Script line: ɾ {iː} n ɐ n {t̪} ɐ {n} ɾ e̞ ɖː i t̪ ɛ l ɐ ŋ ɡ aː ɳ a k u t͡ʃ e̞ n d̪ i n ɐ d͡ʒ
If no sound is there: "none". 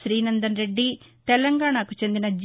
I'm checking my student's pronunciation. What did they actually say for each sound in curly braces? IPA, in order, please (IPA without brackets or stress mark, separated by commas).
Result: iː, d̪, n